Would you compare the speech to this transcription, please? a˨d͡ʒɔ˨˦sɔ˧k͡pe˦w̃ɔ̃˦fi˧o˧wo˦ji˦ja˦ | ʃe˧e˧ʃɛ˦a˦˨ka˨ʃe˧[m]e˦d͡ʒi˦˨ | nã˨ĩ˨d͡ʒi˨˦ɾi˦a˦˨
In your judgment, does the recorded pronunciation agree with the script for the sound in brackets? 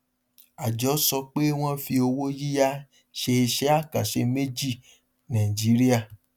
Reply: yes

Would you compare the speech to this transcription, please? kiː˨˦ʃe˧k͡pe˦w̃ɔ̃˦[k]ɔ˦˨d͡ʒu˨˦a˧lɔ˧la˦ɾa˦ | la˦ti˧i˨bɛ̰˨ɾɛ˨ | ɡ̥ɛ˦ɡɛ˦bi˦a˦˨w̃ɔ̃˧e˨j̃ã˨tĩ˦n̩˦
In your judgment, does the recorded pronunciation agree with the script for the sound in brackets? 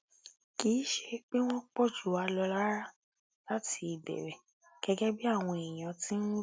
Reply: no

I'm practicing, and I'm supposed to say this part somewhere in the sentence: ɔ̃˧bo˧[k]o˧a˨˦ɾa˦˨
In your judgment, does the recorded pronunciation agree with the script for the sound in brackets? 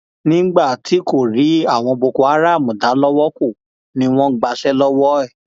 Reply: yes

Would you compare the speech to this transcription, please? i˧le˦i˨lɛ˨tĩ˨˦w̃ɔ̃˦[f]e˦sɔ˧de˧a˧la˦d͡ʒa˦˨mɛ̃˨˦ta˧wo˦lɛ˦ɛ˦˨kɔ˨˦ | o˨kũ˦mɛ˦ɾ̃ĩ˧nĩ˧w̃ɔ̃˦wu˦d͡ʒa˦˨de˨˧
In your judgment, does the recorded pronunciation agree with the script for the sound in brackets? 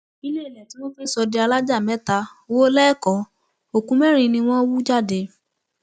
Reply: yes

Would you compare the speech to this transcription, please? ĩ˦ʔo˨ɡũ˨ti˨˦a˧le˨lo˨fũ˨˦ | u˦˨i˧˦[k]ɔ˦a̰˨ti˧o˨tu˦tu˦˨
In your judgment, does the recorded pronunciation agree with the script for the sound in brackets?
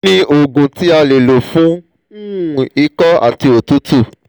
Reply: yes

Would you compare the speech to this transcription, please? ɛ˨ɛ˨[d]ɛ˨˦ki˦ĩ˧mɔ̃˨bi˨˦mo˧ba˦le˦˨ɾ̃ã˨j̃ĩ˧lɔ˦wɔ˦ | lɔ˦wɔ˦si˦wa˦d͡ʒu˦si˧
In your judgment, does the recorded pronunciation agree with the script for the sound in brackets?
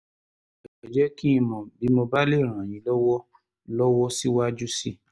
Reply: no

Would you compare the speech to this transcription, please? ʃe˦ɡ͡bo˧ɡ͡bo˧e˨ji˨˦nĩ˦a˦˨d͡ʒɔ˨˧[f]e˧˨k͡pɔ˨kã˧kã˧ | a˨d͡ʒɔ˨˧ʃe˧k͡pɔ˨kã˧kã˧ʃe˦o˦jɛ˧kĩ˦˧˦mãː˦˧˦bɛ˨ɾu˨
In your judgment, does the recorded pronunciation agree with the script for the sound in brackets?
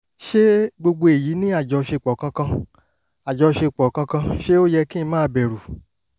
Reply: no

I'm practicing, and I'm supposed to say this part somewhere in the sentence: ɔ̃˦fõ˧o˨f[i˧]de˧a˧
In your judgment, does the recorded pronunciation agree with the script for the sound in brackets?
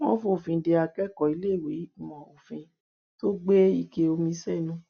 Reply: no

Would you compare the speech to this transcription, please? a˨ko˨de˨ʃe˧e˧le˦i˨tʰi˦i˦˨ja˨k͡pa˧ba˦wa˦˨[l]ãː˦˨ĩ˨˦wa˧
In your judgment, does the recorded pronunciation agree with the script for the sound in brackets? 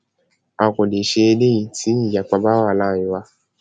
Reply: yes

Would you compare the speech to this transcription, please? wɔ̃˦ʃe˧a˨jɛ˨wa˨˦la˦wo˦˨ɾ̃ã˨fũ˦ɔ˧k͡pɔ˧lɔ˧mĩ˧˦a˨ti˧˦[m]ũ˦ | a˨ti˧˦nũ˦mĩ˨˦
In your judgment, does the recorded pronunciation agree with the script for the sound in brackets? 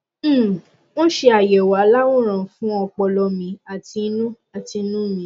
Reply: no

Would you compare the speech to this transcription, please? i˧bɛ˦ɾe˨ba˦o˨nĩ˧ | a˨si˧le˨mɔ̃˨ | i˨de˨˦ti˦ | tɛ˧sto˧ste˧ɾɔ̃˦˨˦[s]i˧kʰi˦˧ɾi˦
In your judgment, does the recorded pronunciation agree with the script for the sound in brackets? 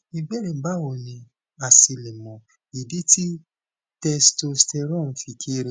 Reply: no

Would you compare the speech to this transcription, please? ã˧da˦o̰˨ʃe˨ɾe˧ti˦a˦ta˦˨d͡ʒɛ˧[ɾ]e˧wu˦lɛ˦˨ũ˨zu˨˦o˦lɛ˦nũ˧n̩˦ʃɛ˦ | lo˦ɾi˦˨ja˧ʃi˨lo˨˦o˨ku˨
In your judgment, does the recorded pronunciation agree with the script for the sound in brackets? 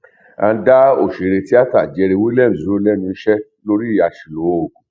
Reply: yes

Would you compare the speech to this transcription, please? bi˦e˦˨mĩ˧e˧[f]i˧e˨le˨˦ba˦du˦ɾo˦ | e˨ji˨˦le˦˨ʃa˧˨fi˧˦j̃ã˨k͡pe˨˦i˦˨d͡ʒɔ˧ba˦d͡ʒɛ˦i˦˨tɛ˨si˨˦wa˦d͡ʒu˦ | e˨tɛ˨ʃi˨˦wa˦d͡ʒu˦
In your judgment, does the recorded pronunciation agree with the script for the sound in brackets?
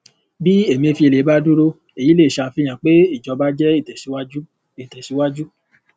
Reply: yes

